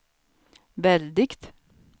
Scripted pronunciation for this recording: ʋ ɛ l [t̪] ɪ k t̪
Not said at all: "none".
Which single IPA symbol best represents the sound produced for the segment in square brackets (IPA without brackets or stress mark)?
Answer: d̪